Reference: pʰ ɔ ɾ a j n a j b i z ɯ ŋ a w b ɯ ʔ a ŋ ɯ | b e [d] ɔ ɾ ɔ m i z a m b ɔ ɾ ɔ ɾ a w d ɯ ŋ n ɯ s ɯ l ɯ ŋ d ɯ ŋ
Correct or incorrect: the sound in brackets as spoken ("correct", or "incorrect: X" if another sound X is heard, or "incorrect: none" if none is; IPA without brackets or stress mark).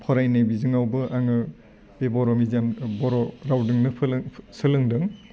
incorrect: b